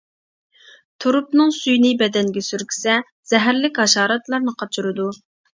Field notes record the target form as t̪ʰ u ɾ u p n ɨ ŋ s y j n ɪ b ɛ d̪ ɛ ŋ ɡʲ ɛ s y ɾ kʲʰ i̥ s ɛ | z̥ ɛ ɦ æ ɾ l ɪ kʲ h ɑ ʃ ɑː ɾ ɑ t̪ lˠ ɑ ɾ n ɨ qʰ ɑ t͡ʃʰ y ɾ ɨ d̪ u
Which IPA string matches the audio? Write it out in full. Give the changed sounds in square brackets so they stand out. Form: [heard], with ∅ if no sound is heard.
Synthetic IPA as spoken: t̪ʰ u ɾ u p n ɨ ŋ s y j n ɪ b ɛ d̪ ɛ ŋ ɡʲ ɛ s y ɾ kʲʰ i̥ s ɛ | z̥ ɛ ɦ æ ɾ l ɪ kʲ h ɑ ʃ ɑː ɾ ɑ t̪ lˠ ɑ ɾ n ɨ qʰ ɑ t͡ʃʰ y ɾ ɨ d̪ u